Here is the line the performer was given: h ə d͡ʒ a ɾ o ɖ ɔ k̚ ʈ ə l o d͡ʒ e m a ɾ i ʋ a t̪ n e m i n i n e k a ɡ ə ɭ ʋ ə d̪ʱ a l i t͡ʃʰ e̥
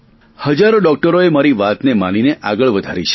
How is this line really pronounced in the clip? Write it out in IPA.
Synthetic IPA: h ə d͡ʒ a ɾ o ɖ ɔ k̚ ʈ ə ɾ o e m a ɾ i ʋ a t̪ n e m a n i n e ʔ a ɡ ə ɭ ʋ ə d̪ʱ a ɾ i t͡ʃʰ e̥